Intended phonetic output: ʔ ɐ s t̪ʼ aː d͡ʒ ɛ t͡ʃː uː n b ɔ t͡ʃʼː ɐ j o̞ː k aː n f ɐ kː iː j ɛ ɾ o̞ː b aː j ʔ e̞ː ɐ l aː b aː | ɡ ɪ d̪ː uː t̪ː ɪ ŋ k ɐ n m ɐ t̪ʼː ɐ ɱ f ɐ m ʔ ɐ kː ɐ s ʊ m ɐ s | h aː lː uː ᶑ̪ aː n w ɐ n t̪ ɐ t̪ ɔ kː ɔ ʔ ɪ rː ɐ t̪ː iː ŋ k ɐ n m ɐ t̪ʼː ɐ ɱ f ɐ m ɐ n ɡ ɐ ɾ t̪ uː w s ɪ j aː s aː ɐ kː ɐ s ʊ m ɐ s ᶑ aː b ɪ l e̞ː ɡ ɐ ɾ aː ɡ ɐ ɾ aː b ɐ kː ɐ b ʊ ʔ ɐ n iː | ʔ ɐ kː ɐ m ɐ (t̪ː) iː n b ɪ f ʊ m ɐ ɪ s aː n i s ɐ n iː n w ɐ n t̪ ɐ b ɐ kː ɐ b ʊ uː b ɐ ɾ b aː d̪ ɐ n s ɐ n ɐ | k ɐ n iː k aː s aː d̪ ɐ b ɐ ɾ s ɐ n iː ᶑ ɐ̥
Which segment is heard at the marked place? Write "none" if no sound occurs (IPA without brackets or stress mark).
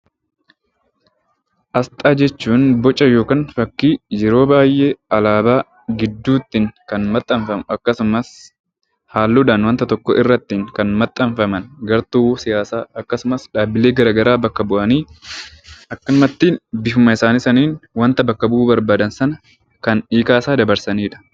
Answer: t̪ː